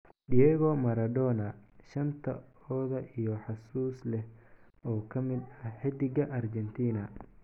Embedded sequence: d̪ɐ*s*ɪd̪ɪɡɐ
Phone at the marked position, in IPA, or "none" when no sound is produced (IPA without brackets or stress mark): ħ